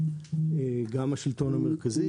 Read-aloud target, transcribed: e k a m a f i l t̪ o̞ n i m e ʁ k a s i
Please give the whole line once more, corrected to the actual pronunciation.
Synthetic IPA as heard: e ɡ a m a ʃ i l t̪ o̞ n a m e ʁ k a z i